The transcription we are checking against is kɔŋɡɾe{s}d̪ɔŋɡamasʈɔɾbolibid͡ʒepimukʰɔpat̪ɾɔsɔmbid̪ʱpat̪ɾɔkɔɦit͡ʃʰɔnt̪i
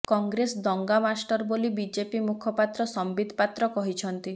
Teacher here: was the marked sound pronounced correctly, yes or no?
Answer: yes